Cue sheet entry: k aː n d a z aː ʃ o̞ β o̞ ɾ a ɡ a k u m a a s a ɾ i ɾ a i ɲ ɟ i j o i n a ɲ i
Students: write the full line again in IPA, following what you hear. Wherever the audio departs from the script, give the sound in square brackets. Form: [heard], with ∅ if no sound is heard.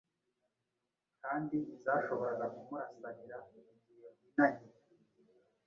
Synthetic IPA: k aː n d [i] z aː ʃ o̞ β o̞ ɾ a ɡ a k u m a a s a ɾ i ɾ a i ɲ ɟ i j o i n a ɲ i